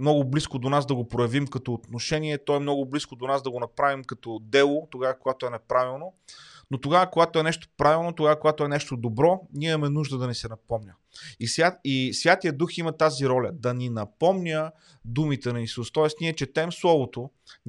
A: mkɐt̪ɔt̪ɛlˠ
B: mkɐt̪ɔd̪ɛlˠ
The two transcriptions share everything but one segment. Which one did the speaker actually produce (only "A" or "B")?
B